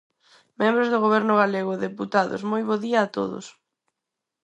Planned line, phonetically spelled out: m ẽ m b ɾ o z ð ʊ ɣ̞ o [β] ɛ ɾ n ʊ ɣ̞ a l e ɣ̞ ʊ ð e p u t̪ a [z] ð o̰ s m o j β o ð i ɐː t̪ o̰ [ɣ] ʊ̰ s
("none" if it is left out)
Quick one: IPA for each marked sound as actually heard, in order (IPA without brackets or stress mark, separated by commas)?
β, none, ð